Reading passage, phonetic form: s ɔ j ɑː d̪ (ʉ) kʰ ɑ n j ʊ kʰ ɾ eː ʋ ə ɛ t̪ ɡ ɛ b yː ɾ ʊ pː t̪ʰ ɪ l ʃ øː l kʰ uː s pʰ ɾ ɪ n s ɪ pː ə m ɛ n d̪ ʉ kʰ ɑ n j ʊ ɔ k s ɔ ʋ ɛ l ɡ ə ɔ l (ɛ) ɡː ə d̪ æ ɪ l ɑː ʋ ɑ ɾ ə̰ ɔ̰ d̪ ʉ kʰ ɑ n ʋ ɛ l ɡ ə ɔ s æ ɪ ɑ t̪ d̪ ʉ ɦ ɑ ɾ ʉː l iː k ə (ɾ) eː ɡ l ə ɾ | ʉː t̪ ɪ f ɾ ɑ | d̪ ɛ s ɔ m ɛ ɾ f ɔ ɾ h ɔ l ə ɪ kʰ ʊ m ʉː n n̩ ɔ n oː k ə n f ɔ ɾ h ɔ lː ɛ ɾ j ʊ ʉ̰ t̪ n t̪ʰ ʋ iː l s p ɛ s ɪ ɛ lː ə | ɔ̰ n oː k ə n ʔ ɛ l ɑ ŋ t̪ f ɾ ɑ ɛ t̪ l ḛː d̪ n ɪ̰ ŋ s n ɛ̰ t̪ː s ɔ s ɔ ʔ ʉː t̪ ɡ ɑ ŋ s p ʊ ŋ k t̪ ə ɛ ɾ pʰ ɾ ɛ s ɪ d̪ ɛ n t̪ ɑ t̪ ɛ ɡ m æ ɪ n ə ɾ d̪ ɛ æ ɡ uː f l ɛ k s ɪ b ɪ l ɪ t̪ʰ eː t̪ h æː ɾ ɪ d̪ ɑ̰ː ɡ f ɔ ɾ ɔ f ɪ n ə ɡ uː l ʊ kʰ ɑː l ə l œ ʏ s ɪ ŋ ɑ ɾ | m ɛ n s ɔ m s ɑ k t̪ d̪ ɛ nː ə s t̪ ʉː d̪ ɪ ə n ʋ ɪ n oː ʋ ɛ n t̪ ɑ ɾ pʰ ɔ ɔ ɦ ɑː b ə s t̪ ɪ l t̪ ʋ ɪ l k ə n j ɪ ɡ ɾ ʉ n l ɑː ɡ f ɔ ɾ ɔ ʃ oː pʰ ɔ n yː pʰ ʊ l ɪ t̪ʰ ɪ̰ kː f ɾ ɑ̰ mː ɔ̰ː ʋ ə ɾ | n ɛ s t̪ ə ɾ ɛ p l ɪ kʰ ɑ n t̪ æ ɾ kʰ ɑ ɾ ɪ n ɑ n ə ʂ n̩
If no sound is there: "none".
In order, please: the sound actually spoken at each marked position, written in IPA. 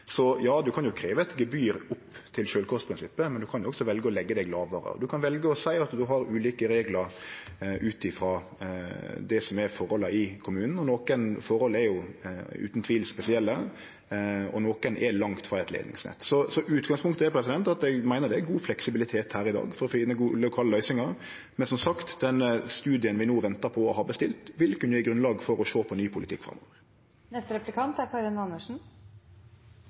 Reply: ʉ, ɛ, ɾ

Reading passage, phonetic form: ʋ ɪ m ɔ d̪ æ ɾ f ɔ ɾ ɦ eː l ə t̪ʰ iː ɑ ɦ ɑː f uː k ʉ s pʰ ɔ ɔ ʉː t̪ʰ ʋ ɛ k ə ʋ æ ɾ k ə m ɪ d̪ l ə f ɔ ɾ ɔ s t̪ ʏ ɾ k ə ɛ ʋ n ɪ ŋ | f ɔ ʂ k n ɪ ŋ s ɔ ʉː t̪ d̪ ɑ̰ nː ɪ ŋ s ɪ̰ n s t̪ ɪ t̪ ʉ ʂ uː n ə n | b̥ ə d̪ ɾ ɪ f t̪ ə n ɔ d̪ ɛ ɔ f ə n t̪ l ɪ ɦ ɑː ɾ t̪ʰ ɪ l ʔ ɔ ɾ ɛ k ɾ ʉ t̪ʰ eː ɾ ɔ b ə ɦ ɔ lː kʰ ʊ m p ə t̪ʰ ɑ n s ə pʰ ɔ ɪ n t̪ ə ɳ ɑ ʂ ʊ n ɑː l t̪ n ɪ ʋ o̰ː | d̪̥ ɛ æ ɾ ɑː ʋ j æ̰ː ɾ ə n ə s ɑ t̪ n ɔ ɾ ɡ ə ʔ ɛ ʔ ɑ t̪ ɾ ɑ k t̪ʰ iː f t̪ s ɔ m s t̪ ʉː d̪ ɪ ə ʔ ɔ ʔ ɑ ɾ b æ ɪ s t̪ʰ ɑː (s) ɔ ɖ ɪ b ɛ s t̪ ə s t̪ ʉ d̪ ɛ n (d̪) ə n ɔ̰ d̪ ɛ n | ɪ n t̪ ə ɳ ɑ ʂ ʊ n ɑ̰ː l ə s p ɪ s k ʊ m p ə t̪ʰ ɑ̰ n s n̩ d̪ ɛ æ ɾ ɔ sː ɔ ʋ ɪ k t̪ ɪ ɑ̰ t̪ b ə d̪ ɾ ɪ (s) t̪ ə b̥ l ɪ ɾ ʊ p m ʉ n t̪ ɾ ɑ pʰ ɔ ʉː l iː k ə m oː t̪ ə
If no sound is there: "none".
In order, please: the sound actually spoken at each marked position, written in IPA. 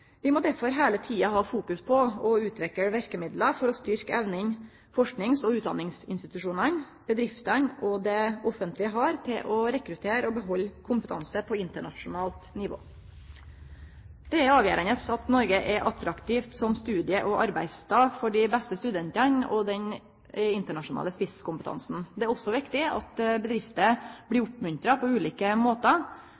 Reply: f, t̪, f

